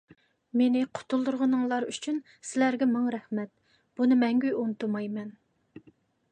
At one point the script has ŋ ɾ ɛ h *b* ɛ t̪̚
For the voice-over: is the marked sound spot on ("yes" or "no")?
no